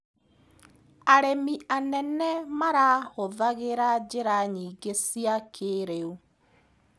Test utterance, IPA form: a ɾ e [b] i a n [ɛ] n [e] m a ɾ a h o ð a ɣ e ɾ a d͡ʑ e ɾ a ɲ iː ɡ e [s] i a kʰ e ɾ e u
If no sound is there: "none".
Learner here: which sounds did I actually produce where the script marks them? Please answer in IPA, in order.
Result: m, ɛ, ɛ, s

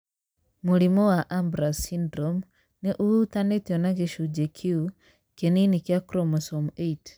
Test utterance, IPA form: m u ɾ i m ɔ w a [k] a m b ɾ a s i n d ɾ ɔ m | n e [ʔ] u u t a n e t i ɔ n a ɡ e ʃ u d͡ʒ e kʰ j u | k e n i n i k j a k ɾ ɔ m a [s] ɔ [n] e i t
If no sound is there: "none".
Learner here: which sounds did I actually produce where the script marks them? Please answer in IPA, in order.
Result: ʔ, ʔ, s, m

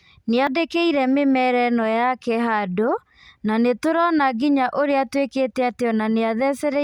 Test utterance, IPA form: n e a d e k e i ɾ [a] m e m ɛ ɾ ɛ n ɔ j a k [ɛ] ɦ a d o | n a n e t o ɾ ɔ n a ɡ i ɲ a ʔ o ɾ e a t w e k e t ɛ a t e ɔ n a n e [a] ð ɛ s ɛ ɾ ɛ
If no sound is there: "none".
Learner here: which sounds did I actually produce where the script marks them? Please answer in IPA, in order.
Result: ɛ, ɛ, a

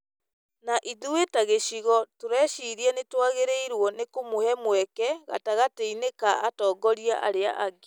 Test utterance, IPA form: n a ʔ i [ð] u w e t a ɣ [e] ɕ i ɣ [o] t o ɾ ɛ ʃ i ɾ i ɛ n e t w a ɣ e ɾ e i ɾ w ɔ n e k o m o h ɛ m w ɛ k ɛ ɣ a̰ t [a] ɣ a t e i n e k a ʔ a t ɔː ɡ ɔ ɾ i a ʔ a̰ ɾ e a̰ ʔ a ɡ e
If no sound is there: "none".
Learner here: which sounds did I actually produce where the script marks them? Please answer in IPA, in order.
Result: ð, e, ɔ, a

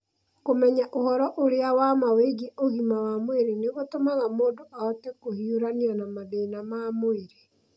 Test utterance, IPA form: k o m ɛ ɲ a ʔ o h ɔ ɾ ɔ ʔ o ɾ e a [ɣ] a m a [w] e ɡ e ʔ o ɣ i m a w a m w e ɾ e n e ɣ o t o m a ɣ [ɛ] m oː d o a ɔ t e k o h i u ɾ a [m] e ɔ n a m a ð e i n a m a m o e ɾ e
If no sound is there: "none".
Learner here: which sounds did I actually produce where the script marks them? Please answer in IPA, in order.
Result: w, w, a, n

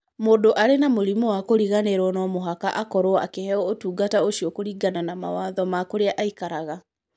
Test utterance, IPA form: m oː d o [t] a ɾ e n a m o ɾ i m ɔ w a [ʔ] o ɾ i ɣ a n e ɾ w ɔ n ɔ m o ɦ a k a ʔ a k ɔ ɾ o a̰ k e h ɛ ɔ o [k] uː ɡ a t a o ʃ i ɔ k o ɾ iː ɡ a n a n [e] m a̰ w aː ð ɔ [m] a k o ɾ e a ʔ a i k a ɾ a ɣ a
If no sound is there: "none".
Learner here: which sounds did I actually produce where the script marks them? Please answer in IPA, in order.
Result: ʔ, k, t, a, m

